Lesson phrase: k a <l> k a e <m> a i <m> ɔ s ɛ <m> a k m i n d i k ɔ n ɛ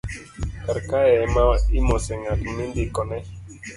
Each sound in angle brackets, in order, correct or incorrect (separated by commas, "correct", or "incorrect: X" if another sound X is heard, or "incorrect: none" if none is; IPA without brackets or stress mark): incorrect: ɾ, correct, correct, incorrect: ŋ